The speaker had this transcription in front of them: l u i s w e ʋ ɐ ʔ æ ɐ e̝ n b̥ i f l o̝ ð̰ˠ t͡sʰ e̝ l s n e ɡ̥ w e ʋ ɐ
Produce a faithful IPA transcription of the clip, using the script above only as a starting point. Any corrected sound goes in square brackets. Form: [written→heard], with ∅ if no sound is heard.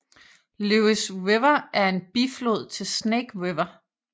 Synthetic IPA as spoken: l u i s w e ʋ ɐ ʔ æ ɐ e̝ n b̥ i f l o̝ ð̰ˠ t͡sʰ e̝ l s n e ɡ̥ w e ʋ ɐ